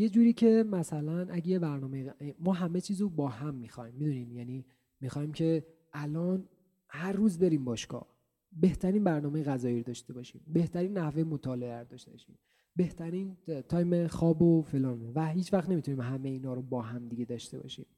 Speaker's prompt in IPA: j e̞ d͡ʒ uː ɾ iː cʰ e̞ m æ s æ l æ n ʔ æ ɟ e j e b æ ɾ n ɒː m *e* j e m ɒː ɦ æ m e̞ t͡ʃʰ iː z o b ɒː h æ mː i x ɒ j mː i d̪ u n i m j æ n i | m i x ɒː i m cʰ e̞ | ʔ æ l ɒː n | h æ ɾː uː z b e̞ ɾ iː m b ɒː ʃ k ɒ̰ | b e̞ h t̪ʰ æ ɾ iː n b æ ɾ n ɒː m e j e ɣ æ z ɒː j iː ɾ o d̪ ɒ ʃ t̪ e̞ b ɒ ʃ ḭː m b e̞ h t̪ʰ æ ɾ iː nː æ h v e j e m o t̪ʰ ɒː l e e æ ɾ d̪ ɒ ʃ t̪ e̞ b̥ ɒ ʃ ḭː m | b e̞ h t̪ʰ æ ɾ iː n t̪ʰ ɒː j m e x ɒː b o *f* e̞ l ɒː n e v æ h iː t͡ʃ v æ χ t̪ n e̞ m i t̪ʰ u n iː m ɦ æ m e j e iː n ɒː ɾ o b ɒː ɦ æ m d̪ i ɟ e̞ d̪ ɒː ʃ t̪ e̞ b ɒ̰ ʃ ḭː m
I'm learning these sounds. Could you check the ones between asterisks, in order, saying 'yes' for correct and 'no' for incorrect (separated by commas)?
yes, yes